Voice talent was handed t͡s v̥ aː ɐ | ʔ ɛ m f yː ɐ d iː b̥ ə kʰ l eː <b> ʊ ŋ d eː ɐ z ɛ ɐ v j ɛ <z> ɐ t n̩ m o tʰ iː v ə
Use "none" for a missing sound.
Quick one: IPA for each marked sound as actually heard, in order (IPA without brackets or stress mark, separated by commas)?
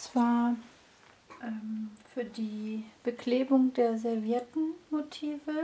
b, none